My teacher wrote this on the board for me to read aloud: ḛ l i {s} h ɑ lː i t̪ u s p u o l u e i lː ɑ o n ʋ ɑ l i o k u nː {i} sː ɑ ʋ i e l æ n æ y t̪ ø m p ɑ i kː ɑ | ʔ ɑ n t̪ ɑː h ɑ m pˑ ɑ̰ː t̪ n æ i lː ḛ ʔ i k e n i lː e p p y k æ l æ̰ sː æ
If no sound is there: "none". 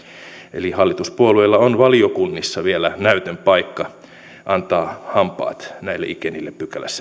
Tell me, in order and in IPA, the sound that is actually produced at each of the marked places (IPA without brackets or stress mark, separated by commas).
none, i